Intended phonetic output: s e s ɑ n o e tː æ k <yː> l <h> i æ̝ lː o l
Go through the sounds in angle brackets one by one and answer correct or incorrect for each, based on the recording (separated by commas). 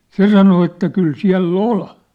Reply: incorrect, incorrect